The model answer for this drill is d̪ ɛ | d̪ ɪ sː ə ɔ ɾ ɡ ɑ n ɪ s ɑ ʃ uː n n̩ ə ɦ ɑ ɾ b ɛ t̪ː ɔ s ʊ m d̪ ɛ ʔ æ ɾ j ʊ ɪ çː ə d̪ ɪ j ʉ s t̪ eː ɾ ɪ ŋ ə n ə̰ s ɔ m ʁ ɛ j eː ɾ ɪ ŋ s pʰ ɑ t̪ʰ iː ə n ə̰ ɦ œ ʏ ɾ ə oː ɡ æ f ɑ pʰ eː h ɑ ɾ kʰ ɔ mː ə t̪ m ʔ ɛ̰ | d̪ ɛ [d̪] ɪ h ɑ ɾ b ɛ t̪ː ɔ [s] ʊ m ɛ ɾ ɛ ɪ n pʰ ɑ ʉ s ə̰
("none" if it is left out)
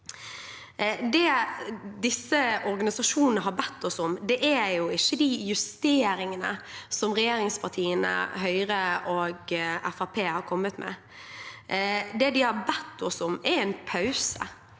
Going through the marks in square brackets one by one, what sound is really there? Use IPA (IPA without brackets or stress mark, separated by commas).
d̪, s